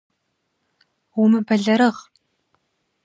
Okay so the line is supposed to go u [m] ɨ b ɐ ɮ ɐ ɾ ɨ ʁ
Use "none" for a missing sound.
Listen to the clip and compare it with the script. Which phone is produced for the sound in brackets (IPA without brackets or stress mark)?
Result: m